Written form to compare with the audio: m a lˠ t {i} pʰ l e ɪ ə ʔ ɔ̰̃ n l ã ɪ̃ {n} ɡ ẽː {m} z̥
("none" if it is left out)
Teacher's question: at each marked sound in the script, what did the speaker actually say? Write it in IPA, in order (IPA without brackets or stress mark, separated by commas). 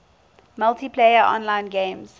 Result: i, n, m